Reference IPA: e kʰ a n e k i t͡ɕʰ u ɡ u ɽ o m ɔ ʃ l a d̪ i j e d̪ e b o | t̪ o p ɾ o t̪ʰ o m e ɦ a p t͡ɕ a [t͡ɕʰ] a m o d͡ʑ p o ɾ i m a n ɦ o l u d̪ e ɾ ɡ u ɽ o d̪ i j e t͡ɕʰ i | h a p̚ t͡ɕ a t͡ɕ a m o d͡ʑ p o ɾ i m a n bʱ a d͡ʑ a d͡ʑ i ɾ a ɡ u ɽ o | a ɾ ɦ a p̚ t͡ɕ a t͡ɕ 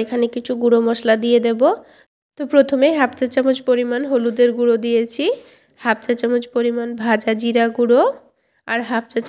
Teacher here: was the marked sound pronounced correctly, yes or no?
no